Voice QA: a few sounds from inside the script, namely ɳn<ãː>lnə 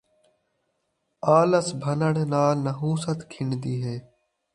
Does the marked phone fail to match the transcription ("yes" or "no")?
yes